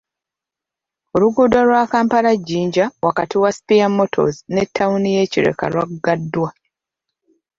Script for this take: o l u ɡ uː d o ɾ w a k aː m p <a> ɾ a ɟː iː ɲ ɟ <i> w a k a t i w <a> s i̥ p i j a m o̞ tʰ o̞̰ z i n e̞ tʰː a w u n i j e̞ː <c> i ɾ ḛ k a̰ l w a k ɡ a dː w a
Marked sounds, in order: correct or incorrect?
correct, incorrect, correct, correct

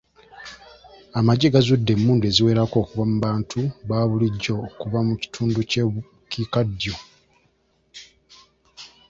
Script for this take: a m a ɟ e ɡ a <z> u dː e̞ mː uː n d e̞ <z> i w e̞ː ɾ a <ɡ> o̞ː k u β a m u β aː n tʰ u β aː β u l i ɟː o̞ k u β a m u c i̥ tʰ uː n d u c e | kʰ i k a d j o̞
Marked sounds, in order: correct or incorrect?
correct, correct, incorrect

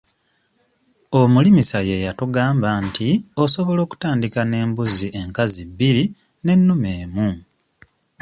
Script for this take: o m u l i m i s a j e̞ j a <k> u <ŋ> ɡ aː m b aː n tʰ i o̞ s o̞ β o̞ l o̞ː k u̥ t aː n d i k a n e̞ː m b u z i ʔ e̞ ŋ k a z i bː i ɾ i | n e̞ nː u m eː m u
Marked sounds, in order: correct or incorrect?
incorrect, incorrect

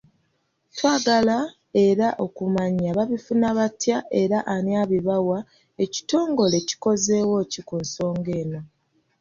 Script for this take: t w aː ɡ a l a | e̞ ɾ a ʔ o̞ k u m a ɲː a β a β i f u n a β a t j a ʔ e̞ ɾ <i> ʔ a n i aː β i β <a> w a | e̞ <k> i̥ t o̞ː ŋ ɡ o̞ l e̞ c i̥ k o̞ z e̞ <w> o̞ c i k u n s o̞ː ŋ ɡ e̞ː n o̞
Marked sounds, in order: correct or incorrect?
incorrect, correct, incorrect, correct

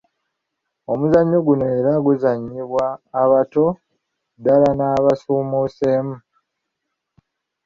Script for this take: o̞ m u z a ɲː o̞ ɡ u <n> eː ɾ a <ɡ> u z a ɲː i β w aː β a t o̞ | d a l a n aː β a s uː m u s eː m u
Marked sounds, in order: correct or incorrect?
correct, correct

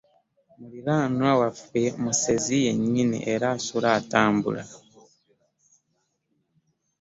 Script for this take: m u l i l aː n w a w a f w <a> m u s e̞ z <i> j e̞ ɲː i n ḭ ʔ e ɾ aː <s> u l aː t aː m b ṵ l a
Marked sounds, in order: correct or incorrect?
incorrect, correct, correct

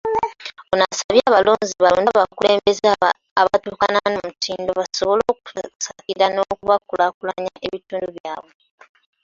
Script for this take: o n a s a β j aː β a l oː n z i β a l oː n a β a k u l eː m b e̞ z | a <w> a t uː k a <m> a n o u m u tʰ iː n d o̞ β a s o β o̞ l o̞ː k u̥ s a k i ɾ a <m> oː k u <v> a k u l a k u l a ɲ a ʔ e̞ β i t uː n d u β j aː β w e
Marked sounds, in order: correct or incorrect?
incorrect, incorrect, incorrect, incorrect

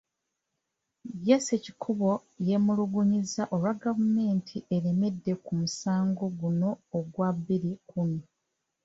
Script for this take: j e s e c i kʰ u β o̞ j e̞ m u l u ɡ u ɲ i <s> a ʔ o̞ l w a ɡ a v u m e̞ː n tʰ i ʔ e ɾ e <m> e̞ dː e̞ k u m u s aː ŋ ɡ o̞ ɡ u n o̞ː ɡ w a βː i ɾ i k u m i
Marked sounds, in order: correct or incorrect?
incorrect, correct

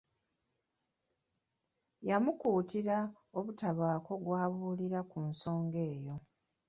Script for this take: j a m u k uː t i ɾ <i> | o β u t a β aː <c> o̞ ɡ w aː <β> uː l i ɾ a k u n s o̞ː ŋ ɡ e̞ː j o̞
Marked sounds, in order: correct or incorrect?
incorrect, incorrect, correct

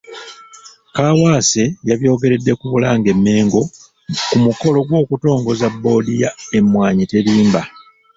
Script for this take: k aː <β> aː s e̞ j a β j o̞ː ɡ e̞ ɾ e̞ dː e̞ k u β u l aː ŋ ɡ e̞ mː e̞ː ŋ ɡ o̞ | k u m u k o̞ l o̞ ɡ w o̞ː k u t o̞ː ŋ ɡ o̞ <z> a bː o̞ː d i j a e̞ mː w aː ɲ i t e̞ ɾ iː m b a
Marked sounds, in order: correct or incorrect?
incorrect, correct

